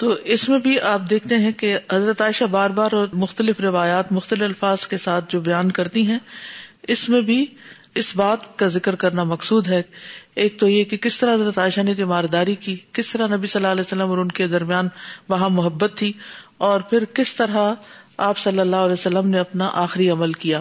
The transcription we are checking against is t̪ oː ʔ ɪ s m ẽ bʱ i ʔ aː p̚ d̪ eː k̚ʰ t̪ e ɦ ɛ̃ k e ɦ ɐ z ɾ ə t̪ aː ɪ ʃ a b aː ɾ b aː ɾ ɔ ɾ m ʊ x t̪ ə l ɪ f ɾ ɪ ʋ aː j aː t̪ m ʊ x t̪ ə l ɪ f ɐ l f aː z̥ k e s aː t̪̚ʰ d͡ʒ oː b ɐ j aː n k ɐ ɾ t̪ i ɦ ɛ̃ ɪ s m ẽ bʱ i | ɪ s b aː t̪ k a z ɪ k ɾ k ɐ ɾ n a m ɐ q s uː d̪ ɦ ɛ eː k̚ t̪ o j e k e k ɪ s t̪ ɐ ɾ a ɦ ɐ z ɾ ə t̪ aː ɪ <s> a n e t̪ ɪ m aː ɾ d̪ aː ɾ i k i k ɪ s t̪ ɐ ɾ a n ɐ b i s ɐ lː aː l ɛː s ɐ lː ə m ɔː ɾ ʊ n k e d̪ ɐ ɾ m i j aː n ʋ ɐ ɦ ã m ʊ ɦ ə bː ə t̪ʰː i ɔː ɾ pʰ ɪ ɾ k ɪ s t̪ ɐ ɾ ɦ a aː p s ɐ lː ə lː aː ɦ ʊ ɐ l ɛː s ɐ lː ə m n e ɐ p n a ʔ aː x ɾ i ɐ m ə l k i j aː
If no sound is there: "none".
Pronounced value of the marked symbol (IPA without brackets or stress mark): ʃ